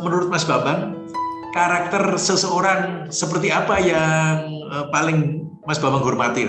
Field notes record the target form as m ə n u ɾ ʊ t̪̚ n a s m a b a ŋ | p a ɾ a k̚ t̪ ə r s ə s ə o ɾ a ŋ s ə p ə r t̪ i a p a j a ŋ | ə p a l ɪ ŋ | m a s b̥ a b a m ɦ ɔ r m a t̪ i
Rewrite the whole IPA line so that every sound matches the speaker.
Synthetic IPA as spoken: m ə n u ɾ ʊ t̪̚ m a s b a b a ŋ | k a ɾ a k̚ t̪ ə r s ə s ə o ɾ a ŋ s ə p ə r t̪ i a p a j a ŋ | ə p a l ɪ ŋ | m a s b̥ a b a ŋ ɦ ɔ r m a t̪ i